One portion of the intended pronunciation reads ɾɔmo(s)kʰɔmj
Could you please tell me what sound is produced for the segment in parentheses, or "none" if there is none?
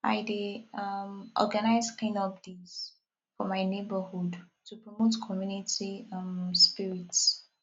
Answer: t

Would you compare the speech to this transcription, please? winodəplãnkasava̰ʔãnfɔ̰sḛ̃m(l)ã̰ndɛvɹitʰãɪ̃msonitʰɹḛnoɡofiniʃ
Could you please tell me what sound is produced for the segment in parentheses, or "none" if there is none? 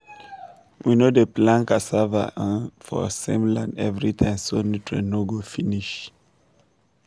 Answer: l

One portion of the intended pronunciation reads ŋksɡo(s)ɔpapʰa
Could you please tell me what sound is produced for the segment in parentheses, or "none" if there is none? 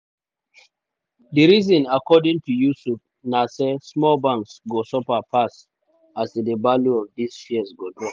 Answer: s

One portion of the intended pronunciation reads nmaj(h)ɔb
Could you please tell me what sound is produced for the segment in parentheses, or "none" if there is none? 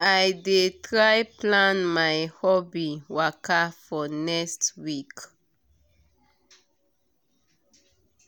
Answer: h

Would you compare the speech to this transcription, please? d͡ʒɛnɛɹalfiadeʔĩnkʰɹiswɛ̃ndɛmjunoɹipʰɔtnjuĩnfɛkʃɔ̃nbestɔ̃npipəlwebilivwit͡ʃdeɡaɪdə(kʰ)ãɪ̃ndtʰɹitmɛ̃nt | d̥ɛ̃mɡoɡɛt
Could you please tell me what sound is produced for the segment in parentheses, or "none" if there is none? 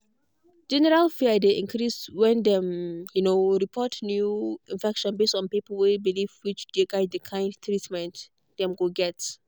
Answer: kʰ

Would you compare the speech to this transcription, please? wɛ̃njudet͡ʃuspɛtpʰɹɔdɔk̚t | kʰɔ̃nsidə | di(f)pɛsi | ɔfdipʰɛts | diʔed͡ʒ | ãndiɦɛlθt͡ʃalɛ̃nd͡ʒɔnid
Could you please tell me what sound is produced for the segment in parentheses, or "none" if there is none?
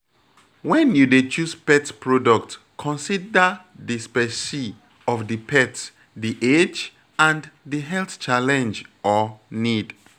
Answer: s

